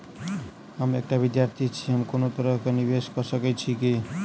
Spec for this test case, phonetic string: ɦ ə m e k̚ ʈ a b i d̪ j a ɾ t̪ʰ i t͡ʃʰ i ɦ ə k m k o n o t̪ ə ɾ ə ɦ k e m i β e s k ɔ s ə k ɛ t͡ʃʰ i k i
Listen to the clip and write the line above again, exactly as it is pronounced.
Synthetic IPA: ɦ ə m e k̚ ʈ a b i d̪ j a ɾ t̪ʰ i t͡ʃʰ i ɦ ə m k o n o t̪ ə ɾ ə ɦ k e n i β e s k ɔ s ə k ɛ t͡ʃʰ i k i

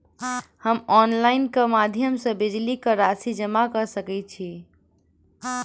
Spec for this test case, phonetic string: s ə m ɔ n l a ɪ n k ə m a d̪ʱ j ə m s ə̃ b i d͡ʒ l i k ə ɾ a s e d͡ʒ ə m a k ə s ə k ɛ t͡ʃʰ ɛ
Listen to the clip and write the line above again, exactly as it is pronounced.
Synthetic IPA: h ə m ɔ n l a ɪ n k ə m a d̪ʱ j ə m s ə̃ b i d͡ʒ l i k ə ɾ a s i d͡ʒ ə m a k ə s ə k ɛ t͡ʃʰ i

